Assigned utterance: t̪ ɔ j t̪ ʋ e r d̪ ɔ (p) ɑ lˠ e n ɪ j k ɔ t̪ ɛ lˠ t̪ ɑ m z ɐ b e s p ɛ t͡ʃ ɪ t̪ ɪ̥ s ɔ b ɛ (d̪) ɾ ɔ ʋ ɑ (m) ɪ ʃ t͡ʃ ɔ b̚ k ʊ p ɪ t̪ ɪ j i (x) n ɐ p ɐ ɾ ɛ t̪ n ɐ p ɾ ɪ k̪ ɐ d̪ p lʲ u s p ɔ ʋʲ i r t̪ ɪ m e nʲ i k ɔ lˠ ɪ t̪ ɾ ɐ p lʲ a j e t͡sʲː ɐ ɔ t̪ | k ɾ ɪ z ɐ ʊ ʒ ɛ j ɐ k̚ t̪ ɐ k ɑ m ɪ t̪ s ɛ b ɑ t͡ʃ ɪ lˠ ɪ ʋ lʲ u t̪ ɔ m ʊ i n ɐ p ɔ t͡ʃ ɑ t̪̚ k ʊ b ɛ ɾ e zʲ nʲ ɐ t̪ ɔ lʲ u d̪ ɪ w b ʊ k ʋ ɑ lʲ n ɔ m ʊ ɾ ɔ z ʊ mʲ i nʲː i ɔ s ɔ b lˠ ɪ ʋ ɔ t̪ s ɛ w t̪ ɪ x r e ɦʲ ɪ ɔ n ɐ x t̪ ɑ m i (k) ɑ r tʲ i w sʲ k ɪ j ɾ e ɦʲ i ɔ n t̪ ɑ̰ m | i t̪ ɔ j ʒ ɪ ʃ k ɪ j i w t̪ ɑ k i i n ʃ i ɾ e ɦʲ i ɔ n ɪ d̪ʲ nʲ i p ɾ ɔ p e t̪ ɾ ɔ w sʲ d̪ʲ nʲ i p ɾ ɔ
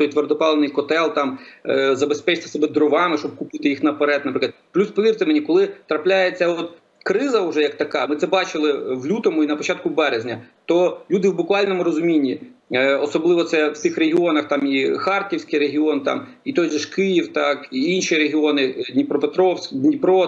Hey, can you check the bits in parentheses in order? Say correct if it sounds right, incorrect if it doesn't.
correct, correct, correct, correct, incorrect: x

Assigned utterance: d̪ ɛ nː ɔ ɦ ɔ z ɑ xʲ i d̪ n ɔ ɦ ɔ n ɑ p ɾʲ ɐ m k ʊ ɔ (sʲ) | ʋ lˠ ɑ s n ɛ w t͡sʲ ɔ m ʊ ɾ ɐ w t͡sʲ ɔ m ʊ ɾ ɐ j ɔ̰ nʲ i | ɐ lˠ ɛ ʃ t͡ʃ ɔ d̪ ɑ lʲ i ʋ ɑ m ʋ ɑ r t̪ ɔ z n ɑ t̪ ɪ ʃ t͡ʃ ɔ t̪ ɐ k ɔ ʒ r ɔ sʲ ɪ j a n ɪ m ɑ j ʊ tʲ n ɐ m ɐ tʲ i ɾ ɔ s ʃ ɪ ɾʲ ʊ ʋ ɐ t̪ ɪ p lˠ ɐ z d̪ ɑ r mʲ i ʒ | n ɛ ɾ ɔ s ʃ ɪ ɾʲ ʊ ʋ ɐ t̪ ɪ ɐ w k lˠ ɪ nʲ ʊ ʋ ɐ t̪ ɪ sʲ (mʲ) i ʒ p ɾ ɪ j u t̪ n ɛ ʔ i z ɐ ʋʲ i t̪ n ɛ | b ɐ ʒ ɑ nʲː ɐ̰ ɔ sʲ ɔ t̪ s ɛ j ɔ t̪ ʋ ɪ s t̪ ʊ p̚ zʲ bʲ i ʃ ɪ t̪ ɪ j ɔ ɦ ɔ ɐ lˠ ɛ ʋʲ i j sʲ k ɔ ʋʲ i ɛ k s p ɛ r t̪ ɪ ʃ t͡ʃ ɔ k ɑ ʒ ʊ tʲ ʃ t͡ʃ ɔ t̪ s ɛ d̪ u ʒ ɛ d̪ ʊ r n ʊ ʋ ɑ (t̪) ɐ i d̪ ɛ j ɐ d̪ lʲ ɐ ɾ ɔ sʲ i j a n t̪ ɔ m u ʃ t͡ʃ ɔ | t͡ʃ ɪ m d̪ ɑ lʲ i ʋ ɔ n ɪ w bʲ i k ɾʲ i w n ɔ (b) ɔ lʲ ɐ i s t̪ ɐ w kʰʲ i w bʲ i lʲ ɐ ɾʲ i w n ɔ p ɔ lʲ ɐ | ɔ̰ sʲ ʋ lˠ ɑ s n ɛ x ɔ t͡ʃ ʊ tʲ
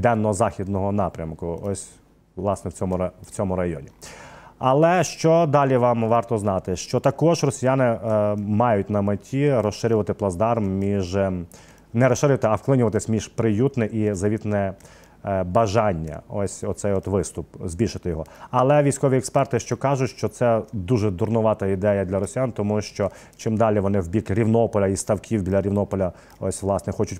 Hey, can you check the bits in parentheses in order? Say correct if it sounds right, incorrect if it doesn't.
correct, correct, correct, incorrect: p

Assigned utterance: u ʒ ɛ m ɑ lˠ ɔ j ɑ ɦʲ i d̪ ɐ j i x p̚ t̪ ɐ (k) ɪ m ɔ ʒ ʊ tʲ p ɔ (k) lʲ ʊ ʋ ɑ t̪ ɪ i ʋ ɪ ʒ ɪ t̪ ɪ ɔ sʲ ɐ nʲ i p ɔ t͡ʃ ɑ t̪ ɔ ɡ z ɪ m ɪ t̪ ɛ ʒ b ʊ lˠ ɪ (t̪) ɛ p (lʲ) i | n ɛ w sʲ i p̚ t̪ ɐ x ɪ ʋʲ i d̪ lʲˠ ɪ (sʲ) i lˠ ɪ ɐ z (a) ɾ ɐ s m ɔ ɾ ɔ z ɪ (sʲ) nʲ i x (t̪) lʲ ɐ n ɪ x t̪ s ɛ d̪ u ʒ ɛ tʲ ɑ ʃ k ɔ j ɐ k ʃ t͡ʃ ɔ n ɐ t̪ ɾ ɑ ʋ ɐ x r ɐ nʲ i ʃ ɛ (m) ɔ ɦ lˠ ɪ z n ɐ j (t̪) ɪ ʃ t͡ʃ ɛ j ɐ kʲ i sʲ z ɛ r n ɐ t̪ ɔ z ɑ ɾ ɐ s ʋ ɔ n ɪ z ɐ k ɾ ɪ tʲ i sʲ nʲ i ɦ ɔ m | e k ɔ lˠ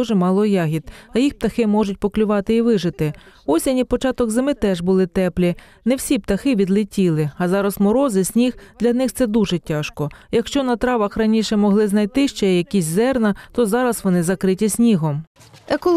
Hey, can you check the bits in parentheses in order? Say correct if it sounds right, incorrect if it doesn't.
incorrect: x, correct, correct, correct, incorrect: tʲ, incorrect: ɑ, correct, incorrect: d̪, correct, correct

